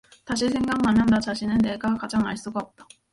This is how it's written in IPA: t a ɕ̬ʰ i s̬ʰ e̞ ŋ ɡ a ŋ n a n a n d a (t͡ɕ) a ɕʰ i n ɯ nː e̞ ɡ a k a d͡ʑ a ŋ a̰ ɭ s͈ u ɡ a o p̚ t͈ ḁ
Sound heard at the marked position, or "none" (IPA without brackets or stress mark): t͡ɕ